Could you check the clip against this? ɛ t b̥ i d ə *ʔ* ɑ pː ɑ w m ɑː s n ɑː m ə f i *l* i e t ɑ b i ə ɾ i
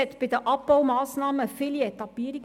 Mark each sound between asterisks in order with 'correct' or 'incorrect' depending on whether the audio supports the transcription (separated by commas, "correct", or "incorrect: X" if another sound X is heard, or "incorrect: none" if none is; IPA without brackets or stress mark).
correct, correct